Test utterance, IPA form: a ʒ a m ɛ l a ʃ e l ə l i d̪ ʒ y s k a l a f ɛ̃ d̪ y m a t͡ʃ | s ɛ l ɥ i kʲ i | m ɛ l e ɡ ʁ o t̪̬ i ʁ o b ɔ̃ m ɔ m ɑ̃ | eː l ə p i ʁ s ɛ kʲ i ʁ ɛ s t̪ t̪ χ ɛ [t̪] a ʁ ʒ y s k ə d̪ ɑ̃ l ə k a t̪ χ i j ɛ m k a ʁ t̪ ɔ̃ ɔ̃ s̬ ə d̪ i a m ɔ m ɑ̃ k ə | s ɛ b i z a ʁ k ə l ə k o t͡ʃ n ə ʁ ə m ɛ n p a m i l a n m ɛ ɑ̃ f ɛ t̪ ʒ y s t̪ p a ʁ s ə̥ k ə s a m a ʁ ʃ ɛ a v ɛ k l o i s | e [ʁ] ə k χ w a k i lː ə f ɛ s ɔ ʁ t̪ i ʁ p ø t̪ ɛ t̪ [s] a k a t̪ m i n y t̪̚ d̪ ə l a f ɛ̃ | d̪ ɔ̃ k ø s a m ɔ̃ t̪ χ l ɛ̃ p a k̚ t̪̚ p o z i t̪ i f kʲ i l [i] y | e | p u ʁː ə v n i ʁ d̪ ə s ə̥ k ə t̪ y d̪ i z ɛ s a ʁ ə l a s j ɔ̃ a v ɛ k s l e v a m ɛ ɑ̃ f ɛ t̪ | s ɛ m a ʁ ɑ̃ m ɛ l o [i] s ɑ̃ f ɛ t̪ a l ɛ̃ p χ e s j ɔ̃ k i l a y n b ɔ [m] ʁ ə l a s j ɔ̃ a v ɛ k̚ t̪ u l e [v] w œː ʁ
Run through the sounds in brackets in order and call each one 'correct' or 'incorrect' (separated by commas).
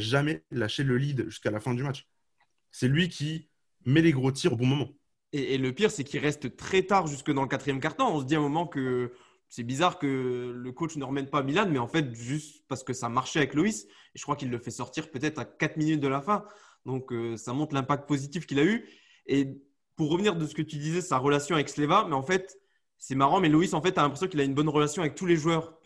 correct, incorrect, incorrect, incorrect, correct, incorrect, incorrect